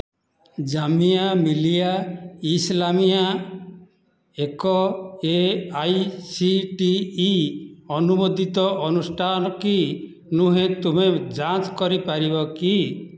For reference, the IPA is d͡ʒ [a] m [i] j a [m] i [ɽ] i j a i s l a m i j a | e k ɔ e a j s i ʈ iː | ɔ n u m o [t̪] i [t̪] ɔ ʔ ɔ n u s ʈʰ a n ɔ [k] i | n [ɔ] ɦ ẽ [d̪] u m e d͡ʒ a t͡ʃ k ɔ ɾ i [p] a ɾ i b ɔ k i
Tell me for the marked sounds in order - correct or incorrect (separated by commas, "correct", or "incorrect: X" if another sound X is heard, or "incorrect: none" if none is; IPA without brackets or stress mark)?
correct, correct, correct, incorrect: l, incorrect: d̪, correct, correct, incorrect: u, incorrect: t̪, correct